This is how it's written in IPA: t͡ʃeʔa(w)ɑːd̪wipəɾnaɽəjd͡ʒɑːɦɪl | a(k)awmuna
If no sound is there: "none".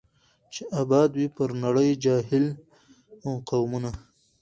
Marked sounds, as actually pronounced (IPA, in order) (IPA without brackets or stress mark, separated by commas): b, q